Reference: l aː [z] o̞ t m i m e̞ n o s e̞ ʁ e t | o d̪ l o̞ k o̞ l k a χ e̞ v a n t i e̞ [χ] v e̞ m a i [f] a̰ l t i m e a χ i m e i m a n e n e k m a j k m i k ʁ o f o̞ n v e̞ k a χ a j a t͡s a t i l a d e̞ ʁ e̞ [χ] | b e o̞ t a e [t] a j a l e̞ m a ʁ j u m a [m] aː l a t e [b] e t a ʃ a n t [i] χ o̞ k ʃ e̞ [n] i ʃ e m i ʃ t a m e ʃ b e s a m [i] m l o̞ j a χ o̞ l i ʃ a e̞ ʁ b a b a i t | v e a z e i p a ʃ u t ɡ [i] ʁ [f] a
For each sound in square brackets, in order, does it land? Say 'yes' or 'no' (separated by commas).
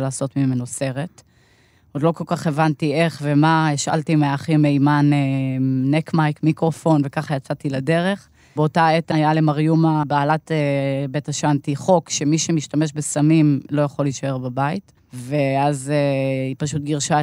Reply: no, yes, no, yes, yes, no, yes, yes, no, yes, yes, no